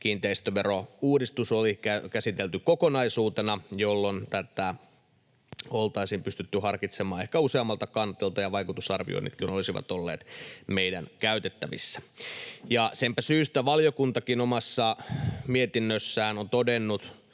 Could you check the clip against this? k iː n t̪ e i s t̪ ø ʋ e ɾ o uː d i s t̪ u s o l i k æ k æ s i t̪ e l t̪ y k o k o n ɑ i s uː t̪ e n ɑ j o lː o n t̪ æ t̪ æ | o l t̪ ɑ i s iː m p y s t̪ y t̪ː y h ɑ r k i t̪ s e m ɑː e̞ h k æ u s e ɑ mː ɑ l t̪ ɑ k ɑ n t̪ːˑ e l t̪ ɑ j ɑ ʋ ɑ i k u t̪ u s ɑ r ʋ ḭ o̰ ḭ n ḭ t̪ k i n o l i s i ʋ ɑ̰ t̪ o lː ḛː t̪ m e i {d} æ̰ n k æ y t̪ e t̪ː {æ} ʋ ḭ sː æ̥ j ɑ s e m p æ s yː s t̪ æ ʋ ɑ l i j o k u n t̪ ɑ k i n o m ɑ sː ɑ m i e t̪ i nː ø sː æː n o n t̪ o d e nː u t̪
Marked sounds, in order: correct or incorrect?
correct, correct

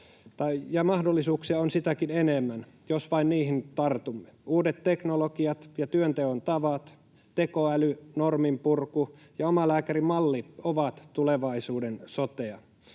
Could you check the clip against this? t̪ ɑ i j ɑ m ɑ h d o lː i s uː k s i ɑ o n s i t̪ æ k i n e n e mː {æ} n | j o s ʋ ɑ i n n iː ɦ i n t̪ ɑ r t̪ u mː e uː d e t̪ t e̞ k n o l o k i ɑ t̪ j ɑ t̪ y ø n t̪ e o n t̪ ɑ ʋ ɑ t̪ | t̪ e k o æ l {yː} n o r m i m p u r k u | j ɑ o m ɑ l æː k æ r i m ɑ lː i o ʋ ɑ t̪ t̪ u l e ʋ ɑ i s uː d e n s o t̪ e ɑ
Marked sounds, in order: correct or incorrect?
correct, incorrect: y

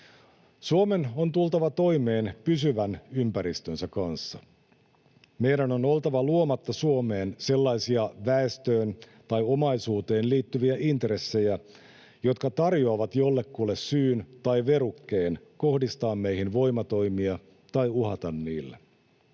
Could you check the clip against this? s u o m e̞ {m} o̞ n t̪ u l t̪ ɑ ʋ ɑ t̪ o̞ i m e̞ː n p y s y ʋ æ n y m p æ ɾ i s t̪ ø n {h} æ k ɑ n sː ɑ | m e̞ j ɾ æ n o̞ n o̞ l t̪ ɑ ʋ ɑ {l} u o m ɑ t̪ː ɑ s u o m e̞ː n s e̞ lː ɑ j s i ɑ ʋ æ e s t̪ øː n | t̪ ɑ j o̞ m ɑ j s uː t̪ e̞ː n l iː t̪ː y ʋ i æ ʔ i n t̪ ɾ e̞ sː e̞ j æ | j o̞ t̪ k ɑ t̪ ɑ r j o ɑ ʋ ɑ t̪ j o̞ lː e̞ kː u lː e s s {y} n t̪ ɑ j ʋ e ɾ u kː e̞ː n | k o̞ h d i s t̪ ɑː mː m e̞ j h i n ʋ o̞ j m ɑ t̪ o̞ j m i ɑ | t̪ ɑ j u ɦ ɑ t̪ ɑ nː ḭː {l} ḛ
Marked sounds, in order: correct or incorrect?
incorrect: n, incorrect: s, correct, incorrect: yː, incorrect: lː

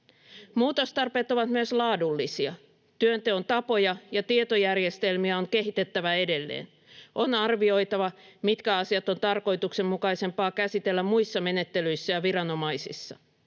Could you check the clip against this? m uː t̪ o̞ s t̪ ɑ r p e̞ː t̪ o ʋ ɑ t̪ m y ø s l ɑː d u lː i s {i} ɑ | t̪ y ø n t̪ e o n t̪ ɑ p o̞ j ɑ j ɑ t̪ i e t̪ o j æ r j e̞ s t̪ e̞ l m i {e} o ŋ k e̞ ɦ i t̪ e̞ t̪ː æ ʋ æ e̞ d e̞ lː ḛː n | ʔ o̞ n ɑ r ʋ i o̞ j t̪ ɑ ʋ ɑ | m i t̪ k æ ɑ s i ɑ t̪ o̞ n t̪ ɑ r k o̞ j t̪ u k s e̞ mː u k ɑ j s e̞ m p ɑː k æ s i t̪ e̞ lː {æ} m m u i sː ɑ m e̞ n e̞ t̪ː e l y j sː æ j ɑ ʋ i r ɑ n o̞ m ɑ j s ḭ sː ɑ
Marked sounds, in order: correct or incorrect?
correct, incorrect: æ, correct

